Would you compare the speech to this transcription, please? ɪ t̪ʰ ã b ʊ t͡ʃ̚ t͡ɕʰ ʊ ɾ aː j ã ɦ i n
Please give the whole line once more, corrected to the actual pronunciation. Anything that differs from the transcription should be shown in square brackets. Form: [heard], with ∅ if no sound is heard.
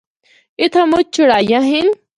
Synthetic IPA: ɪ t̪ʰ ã [m] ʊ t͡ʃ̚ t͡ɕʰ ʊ [ɽ] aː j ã ɦ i n